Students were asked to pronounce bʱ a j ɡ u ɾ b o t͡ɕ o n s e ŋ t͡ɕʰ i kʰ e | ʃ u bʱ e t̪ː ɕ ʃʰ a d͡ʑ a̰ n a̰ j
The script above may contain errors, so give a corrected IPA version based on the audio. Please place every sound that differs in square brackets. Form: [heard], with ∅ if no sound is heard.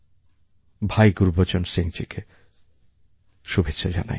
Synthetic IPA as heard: bʱ a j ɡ u ɾ b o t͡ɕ o n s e ŋ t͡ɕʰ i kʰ e | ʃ u bʱ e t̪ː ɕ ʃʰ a d͡ʑ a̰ n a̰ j

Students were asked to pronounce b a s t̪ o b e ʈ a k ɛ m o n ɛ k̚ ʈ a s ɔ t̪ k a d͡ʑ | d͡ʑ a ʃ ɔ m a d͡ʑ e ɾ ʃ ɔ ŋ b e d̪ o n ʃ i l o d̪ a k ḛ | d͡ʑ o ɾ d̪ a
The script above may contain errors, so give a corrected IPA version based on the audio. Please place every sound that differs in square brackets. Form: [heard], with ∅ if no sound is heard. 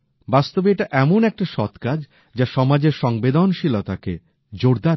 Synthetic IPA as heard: b a s t̪ o b e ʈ a [ʔ] ɛ m o n ɛ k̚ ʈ a [ʃ] ɔ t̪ k a d͡ʑ | d͡ʑ a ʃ ɔ m a d͡ʑ e ɾ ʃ ɔ ŋ b e d̪ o n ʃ i l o [t̪] a k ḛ | d͡ʑ o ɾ d̪ a

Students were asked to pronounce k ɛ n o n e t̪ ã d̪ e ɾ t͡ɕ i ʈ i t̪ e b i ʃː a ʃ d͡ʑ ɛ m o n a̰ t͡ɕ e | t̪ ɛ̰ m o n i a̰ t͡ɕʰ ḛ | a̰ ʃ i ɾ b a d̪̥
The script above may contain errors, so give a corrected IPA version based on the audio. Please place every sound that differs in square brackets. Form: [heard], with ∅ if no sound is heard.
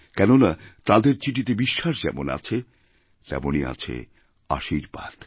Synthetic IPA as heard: k ɛ n o n [a] t̪ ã d̪ e ɾ t͡ɕ i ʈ i t̪ e b i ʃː a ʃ d͡ʑ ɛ m o n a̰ [t͡ɕʰ] e | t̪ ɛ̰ m o n i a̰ t͡ɕʰ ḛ | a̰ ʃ i ɾ b a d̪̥

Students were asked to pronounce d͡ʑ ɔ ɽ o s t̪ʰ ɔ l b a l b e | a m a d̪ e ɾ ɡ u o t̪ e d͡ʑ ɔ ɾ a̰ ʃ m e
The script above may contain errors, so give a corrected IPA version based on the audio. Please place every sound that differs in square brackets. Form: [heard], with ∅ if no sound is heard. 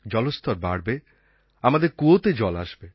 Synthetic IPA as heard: d͡ʑ ɔ [l] o s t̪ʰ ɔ [ɾ] b a [ɽ] b e | a m a d̪ e ɾ [k] u o t̪ e d͡ʑ ɔ [l] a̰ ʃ [b] e

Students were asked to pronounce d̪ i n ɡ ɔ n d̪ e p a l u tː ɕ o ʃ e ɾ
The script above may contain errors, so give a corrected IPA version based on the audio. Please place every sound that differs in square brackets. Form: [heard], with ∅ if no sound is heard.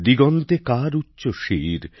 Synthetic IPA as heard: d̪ i [∅] ɡ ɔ n [t̪] e [k] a [ɾ] u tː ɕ o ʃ [i] ɾ

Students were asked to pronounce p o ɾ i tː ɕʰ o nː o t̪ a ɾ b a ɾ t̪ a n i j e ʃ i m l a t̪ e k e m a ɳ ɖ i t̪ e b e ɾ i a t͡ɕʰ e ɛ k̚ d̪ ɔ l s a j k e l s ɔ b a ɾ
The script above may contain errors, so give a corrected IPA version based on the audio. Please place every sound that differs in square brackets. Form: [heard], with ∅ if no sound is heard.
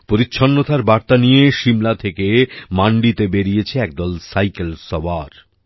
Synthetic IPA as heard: p o ɾ i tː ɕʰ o nː o t̪ a ɾ b a ɾ t̪ a n i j e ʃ i m l a [t̪ʰ] e k e m a ɳ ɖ i t̪ e b e ɾ i [e] t͡ɕʰ e ɛ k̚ d̪ ɔ l s a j k e l s ɔ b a ɾ

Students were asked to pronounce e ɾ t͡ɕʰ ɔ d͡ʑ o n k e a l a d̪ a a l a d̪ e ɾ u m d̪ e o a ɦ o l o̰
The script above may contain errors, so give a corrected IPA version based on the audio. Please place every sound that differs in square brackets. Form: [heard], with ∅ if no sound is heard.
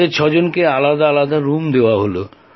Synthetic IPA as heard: e ɾ t͡ɕʰ ɔ d͡ʑ o n k e a l a d̪ a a l a d̪ [a] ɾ u m d̪ e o a ɦ o l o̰

